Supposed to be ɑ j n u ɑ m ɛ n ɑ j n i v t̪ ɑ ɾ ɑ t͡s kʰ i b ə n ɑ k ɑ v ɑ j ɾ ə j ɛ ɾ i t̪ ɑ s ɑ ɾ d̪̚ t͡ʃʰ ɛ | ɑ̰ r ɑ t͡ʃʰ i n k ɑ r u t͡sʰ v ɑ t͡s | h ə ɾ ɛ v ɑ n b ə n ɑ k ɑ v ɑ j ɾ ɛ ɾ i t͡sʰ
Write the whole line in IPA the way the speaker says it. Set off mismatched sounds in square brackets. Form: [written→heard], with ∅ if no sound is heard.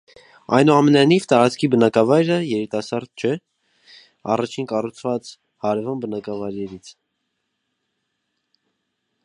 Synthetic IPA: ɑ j n u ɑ m ɛ n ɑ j n i v t̪ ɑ ɾ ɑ t͡s kʰ i b ə n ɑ k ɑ v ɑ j ɾ ə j ɛ ɾ i t̪ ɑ s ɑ ɾ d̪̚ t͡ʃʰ ɛ | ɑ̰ r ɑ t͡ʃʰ i n k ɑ r u t͡sʰ v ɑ t͡s | h [ə→ɑ] ɾ ɛ v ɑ n b ə n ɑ k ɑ v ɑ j ɾ ɛ ɾ i t͡sʰ